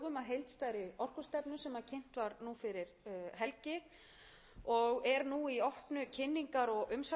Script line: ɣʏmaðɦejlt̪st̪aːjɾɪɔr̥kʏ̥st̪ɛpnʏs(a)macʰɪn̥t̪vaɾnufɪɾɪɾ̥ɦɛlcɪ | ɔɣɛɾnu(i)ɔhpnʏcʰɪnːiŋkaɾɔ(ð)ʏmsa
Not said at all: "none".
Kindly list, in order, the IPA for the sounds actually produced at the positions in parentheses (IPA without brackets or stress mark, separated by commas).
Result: ɛ, i, ɣ